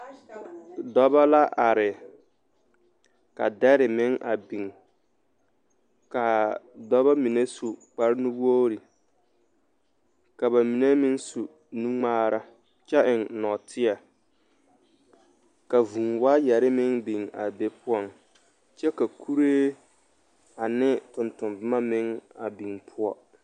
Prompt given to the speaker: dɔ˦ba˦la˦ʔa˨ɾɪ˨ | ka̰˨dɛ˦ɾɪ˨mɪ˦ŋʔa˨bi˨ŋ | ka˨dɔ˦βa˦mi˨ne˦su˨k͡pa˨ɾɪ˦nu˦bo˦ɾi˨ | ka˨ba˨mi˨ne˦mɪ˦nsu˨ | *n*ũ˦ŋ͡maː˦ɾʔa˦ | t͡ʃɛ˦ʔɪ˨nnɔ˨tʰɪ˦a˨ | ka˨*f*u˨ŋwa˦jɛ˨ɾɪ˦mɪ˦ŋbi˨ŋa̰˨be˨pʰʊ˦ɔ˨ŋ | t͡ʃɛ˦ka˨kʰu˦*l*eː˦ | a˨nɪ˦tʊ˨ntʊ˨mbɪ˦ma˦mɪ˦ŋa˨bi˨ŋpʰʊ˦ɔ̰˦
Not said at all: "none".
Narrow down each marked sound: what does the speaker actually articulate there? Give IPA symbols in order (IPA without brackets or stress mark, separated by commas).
n, v, ɾ